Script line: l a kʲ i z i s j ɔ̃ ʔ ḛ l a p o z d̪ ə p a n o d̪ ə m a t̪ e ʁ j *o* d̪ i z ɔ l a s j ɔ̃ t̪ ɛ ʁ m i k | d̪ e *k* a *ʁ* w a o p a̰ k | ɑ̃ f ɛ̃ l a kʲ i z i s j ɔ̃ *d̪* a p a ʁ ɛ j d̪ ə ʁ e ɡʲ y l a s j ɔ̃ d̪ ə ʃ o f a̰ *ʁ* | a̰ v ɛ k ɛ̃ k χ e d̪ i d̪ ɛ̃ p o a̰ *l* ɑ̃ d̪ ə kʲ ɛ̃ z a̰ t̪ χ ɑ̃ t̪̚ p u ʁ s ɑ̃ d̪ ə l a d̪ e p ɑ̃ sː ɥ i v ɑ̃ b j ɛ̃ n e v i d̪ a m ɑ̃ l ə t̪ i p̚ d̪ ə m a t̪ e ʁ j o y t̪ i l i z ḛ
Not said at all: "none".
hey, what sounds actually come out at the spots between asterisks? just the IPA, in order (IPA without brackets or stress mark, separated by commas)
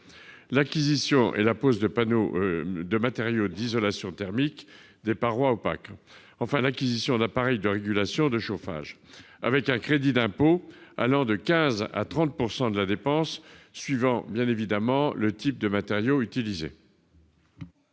o, p, ʁ, d̪, ʒ, l